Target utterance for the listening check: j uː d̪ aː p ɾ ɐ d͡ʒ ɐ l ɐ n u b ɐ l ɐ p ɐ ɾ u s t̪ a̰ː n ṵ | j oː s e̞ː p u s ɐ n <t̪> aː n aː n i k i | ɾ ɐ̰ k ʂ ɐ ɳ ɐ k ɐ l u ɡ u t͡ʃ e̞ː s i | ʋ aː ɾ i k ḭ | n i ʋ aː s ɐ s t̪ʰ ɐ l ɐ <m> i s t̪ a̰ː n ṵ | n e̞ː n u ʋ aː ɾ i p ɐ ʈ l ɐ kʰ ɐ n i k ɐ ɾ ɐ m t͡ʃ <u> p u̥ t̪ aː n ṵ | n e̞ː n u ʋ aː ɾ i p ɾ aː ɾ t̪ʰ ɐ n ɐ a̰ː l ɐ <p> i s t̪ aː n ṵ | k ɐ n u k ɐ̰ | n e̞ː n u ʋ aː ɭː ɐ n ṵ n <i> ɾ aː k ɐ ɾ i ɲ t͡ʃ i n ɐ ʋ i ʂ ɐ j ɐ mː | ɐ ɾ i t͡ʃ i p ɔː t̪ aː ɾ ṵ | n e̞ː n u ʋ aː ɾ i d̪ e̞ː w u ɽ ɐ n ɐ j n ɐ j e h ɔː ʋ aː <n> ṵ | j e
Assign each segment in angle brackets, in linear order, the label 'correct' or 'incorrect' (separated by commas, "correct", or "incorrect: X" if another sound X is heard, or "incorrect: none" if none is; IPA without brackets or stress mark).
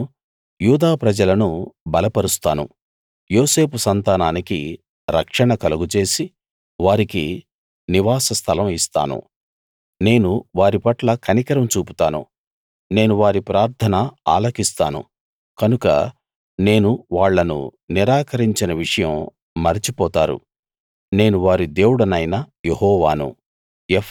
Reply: correct, correct, incorrect: uː, incorrect: k, correct, correct